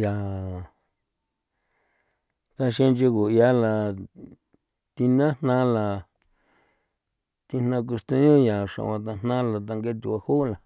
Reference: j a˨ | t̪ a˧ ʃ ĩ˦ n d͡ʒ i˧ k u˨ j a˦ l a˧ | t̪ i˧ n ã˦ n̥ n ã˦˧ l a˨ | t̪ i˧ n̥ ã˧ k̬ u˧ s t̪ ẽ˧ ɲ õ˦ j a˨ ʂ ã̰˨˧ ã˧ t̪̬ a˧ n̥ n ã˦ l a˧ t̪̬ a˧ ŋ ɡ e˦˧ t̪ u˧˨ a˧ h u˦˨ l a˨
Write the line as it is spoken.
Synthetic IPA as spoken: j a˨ | t̪ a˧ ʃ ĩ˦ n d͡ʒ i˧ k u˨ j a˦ l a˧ | t̪ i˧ n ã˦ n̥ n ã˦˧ l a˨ | t̪ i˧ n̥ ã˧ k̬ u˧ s t̪ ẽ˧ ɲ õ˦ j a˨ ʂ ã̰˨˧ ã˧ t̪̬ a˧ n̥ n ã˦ l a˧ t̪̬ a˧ ŋ ɡ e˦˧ t̪ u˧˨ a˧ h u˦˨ l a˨